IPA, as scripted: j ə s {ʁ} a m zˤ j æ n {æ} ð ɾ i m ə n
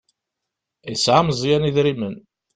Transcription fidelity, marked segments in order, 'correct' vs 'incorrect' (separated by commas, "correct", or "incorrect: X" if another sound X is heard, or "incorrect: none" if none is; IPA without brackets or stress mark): incorrect: ʕ, incorrect: i